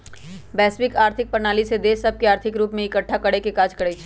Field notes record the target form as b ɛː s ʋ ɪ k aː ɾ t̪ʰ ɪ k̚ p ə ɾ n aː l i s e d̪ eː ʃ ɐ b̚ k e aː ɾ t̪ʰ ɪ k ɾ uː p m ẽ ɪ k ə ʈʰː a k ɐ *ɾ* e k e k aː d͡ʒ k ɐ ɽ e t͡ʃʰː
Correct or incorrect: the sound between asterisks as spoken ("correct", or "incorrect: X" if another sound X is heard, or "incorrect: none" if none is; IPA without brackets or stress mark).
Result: incorrect: ɽ